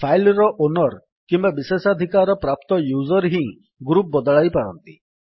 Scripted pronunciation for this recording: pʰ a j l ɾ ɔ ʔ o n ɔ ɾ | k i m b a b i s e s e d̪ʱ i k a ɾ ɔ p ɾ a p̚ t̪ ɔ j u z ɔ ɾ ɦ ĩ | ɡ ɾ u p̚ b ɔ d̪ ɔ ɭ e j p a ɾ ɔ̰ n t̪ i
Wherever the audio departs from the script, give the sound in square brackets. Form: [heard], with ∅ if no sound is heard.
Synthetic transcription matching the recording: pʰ a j l ɾ ɔ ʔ o n ɔ ɾ | k i m b a b i s e s [a] d̪ʱ i k a ɾ ɔ p ɾ a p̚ t̪ ɔ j u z ɔ ɾ ɦ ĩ | ɡ ɾ u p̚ b ɔ d̪ ɔ ɭ [a] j p a ɾ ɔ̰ n t̪ i